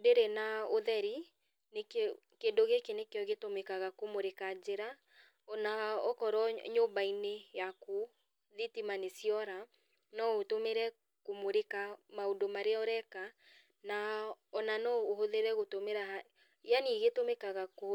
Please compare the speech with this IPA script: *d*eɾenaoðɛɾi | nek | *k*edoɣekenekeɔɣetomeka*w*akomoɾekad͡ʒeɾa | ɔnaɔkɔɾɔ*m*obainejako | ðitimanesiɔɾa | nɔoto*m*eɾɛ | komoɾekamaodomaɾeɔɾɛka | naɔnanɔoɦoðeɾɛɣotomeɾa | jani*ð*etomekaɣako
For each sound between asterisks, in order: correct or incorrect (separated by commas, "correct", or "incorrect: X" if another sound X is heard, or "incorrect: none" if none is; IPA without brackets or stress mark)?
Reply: correct, correct, incorrect: ɣ, incorrect: ɲ, correct, incorrect: ɣ